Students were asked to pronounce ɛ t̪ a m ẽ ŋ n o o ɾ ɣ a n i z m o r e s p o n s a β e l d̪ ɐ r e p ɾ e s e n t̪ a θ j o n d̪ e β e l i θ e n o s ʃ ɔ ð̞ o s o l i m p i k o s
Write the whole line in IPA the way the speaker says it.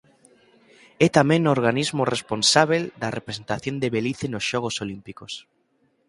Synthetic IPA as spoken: ɛ t̪ a m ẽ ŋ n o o ɾ ɣ a n i z m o r e s p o n s a β e l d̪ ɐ r e p ɾ e s e n t̪ a θ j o n d̪ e β e l i θ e n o s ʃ ɔ ɣ̞ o s o l i m p i k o s